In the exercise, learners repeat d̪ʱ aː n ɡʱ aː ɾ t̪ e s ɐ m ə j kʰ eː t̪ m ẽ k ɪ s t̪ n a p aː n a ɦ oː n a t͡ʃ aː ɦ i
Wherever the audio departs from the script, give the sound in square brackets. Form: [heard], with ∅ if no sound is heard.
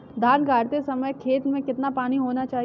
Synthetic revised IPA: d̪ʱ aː n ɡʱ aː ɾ t̪ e s ɐ m ə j kʰ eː t̪ m ẽ k ɪ [∅] t̪ n a p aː n [i] ɦ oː n a t͡ʃ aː ɦ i